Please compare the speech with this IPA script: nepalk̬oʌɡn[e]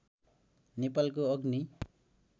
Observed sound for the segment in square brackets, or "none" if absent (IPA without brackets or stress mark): i